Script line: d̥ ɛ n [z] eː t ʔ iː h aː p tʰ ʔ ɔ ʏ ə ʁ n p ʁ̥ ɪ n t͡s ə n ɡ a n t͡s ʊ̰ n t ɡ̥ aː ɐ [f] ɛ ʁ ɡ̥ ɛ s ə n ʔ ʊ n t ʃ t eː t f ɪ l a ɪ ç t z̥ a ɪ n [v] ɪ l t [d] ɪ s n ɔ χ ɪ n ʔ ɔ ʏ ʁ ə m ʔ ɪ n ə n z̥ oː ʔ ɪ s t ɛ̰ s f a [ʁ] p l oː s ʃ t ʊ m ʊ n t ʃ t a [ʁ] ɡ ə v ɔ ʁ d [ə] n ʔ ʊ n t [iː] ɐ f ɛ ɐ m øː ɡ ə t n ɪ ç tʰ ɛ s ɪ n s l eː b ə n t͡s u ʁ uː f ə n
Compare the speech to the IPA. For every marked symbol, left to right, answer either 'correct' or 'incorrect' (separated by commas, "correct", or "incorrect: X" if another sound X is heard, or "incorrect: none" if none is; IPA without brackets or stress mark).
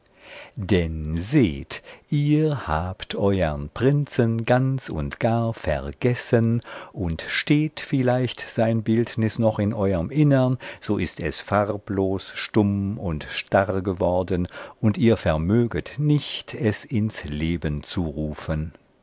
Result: correct, correct, incorrect: b, incorrect: n, correct, correct, correct, correct